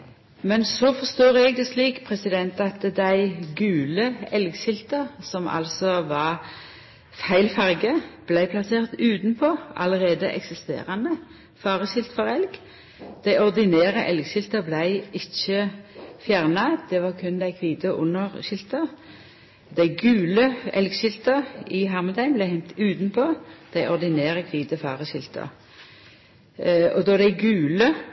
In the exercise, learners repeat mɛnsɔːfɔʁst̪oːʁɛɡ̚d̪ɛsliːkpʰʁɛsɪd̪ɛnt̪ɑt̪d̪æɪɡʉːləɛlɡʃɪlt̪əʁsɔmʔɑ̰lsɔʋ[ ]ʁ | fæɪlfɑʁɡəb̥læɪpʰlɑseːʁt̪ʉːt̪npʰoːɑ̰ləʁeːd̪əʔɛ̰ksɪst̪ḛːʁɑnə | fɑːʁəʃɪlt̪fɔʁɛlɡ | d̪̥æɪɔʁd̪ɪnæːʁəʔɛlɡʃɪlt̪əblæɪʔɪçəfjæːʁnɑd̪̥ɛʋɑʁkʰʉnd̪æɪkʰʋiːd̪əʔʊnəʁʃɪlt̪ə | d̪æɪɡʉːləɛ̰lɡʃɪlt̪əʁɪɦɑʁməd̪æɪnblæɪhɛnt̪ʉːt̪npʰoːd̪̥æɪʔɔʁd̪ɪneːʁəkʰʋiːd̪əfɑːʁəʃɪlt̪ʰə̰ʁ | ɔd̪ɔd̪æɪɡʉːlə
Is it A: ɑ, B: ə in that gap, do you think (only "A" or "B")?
A